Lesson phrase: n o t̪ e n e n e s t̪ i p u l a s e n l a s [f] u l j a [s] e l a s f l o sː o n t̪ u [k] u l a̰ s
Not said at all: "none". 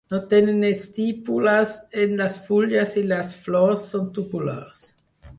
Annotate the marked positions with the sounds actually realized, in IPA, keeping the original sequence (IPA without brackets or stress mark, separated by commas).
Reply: f, s, p